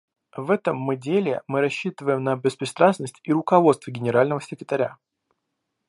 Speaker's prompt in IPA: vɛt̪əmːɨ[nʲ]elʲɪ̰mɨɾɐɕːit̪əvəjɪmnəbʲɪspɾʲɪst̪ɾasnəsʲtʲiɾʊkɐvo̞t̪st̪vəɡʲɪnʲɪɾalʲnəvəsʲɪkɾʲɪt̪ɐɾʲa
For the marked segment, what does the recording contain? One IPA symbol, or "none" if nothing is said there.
dʲ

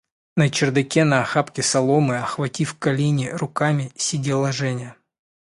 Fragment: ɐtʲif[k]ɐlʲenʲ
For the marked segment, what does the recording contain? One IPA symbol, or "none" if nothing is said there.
k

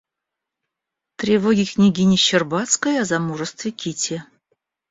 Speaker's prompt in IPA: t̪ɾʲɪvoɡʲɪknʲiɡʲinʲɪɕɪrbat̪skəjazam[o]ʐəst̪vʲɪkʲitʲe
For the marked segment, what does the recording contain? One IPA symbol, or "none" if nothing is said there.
u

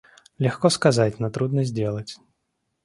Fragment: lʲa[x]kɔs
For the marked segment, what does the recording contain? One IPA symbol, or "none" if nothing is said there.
x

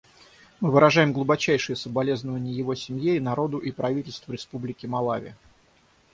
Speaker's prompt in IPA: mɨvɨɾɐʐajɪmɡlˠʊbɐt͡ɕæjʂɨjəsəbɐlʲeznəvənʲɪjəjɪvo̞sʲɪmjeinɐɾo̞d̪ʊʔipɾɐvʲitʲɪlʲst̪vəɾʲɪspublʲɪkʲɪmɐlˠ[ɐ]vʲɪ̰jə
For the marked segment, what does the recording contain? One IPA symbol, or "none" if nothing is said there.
a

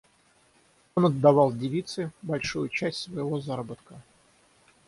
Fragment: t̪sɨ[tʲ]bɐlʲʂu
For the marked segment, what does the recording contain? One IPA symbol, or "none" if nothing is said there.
none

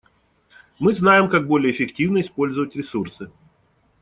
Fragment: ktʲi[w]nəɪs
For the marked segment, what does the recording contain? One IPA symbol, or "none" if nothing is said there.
v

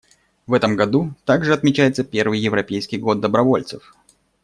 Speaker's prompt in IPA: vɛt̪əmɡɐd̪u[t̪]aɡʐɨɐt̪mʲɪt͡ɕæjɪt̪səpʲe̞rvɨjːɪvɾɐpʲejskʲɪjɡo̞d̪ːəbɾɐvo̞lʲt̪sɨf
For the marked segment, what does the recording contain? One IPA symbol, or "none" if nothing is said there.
t̪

